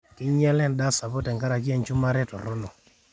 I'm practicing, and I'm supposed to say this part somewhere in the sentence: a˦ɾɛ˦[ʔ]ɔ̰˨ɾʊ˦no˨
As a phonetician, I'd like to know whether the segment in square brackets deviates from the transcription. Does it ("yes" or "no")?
yes